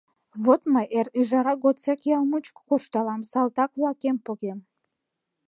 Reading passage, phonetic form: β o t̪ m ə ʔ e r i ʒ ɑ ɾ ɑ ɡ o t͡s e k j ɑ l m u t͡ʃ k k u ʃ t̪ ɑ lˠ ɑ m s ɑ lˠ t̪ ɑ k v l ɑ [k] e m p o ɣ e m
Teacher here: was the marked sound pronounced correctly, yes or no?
yes